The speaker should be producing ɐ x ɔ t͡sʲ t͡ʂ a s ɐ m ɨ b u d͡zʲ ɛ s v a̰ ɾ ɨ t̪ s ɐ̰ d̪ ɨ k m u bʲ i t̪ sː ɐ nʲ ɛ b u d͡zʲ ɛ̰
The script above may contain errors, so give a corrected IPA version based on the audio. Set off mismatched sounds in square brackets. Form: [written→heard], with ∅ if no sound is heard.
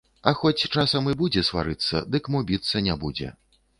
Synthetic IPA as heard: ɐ x ɔ t͡sʲ t͡ʂ a s ɐ m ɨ b u d͡zʲ ɛ s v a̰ ɾ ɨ t̪ [s→sː] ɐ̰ d̪ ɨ k m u bʲ i t̪ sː ɐ nʲ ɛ b u d͡zʲ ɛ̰